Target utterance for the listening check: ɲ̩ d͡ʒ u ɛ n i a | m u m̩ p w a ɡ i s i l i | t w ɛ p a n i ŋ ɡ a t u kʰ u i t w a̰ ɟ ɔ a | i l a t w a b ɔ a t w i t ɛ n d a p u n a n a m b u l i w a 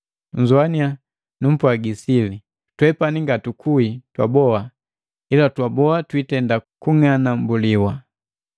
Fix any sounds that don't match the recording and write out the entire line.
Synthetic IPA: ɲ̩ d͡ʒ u a n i a | n u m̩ p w a ɡ i s i l i | t w ɛ p a n i ŋ ɡ a t u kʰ u i t w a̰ b ɔ a | i l a t w a b ɔ a t w i t ɛ n d a k u ŋ a n a m b u l i w a